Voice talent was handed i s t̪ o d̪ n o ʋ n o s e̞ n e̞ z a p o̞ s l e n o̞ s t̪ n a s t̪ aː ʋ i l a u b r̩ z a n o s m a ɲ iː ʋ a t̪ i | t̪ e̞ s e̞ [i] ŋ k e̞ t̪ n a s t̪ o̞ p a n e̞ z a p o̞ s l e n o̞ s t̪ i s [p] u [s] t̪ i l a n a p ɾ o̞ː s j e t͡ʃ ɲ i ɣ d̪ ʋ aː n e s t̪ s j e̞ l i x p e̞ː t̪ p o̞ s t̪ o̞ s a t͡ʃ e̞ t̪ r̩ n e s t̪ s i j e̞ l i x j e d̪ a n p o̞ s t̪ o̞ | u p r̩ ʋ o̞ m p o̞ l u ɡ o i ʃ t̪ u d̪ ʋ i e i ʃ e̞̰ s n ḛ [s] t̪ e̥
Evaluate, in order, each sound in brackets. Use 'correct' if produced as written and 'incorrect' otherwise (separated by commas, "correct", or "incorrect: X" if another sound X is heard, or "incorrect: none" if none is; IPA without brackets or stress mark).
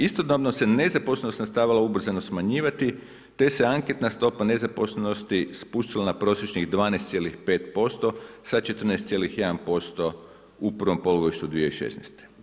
incorrect: a, correct, incorrect: ʃ, correct